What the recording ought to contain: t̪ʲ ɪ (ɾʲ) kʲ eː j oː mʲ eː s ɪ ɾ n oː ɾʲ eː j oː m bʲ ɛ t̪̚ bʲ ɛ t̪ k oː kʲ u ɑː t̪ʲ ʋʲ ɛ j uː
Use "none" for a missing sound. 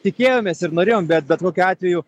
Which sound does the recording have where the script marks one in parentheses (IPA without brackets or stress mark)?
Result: none